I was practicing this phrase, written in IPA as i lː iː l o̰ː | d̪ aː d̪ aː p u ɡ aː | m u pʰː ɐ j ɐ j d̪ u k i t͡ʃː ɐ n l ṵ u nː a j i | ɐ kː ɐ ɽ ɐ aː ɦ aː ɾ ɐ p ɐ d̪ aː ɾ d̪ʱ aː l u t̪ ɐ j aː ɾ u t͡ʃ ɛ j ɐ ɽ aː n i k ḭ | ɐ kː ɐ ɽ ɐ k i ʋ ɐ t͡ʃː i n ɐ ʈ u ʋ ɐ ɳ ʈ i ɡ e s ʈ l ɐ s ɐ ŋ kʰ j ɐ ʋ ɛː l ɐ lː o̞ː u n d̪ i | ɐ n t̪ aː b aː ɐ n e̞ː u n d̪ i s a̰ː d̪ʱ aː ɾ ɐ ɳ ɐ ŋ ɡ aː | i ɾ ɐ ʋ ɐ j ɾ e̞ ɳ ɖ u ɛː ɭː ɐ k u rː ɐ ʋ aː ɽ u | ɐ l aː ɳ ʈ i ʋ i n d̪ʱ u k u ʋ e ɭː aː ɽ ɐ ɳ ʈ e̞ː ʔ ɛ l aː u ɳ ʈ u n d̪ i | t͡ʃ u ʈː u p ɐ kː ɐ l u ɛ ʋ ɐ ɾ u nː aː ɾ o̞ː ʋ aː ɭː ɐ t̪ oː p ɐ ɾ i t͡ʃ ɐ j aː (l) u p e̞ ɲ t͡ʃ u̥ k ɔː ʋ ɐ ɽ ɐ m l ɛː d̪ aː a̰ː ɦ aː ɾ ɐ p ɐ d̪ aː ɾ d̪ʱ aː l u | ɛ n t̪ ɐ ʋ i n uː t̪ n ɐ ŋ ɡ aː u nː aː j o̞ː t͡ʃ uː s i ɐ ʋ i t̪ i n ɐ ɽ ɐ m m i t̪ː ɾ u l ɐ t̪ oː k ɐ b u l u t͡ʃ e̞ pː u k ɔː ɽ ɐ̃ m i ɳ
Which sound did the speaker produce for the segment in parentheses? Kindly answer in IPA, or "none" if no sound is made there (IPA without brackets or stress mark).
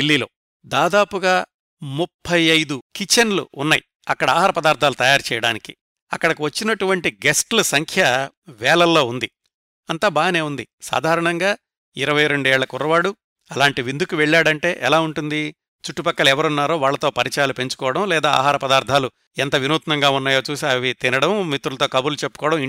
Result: l